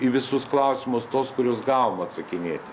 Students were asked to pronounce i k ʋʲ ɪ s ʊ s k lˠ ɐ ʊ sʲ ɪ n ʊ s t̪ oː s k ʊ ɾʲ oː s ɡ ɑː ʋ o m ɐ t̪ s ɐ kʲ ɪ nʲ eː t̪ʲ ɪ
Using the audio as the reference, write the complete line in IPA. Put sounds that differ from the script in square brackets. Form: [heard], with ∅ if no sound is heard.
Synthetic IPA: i [∅] ʋʲ ɪ s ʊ s k lˠ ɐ ʊ sʲ ɪ [m] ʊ s t̪ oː s k ʊ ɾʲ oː s ɡ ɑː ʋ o m ɐ t̪ s ɐ kʲ ɪ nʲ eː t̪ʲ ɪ